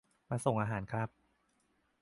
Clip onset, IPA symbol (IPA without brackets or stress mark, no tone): m